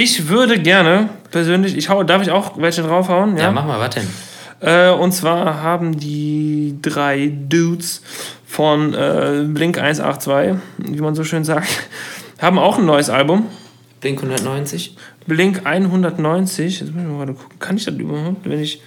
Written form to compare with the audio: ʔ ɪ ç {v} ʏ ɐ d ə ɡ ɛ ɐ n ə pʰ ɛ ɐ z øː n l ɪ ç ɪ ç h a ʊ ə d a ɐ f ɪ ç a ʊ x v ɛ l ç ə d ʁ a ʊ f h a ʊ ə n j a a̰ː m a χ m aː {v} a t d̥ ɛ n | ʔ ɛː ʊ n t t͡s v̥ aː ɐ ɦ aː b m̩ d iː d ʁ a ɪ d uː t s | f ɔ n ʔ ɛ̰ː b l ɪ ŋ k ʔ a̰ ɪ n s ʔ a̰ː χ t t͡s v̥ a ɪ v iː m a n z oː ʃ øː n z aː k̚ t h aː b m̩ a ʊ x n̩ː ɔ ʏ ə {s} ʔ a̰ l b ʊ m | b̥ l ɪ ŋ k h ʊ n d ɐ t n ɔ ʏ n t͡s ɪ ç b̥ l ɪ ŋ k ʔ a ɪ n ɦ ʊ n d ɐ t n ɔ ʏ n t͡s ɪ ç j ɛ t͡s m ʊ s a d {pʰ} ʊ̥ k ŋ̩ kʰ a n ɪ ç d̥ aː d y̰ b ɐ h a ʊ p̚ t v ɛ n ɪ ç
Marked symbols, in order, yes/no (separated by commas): yes, yes, yes, no